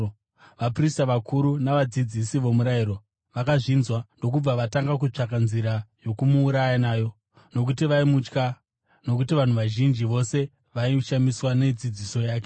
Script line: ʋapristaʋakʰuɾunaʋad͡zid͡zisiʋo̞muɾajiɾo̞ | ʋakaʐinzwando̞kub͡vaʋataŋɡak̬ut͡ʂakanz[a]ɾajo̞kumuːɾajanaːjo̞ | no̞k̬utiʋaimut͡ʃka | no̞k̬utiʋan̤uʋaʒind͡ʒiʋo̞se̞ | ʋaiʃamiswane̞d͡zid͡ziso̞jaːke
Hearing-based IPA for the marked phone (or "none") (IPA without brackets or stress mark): i